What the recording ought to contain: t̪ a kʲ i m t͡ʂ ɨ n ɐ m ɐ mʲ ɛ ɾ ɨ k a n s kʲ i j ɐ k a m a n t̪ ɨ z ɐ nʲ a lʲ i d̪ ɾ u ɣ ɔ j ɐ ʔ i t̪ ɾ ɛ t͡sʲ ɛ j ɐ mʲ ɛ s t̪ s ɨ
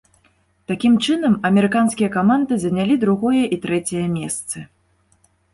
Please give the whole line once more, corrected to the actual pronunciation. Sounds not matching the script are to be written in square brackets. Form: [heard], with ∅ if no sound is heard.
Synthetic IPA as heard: t̪ a kʲ i m t͡ʂ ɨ n ɐ m ɐ mʲ ɛ ɾ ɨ k a n s kʲ i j ɐ k a m a n [d̪] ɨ z ɐ nʲ a lʲ i d̪ ɾ u ɣ ɔ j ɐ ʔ i t̪ ɾ ɛ t͡sʲ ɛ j ɐ mʲ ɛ s t̪ s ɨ